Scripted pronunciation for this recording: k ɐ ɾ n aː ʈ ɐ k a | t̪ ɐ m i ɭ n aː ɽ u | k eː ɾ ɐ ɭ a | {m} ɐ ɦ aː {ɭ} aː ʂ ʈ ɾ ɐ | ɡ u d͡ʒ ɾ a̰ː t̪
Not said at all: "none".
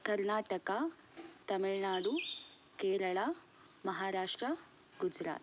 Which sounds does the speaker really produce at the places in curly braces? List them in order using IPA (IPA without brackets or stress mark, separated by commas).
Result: m, ɾ